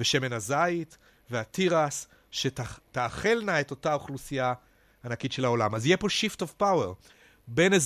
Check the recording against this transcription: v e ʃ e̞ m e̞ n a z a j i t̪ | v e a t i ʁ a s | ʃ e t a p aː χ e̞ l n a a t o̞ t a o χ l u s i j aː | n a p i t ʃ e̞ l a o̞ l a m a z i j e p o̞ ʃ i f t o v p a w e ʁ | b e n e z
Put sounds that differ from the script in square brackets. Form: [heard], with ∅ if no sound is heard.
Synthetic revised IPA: v e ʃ e̞ m e̞ n a z a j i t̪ | v e a t i ʁ a s | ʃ e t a [t] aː χ e̞ l n a [e] t o̞ t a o χ l u s i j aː | n a [k] i t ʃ e̞ l a o̞ l a m a z i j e p o̞ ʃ i f t o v p a w e ʁ | b e n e z